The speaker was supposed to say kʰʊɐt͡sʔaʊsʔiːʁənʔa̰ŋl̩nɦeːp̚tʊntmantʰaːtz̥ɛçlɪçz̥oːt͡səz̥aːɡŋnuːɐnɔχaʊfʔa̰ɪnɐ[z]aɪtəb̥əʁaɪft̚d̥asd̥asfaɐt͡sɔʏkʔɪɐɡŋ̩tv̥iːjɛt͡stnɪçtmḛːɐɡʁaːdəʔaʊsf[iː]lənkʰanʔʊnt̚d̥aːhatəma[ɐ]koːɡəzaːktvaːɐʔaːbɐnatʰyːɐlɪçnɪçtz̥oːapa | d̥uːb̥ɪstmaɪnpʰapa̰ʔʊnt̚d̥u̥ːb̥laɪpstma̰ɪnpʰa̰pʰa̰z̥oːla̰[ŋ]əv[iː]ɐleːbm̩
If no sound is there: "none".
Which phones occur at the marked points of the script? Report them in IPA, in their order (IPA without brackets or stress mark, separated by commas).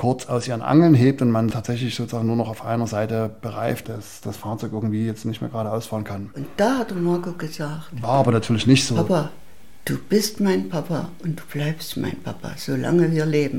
z, aː, ɐ, ŋ, iː